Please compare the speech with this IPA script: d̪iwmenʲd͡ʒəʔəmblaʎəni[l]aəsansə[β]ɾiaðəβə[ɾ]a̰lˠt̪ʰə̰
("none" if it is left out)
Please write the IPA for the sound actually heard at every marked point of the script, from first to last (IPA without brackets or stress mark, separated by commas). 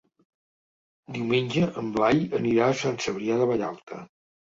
ɾ, β, ʎ